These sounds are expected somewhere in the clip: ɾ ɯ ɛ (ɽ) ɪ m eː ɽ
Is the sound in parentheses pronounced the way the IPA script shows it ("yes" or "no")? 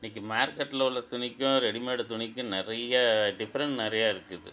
yes